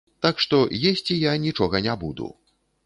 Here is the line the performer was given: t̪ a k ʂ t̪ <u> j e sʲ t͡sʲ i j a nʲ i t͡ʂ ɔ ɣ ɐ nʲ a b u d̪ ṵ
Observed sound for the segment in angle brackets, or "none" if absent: ɔ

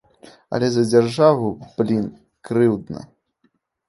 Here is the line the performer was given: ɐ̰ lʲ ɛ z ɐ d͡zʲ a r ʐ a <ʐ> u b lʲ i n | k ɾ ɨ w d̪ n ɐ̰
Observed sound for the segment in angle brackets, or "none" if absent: v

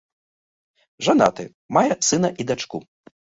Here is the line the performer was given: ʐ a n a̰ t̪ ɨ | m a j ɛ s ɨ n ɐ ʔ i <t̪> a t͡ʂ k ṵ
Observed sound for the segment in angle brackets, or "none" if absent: d̪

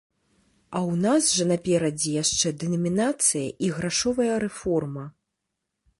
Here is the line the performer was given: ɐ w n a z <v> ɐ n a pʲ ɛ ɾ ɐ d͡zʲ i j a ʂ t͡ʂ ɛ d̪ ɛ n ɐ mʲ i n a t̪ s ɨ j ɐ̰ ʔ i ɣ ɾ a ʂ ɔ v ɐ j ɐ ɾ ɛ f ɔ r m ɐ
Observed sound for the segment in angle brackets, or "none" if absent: ʐ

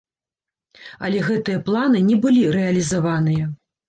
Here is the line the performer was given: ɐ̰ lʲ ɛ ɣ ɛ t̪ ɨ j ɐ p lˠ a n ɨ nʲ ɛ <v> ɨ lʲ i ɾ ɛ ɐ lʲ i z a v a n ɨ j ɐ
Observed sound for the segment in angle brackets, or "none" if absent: b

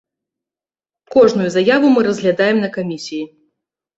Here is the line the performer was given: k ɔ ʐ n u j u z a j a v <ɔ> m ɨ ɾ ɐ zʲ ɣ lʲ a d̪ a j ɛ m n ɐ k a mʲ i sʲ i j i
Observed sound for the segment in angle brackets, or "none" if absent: u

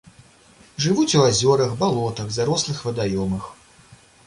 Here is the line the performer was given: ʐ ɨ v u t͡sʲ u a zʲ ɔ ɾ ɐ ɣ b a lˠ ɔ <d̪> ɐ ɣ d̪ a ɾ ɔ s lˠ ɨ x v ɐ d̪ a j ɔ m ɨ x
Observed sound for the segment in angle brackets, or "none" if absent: t̪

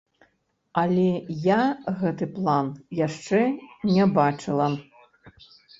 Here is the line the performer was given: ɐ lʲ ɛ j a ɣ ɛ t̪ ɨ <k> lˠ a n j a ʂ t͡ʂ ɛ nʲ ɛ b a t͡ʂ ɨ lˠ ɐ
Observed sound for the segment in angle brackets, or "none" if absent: p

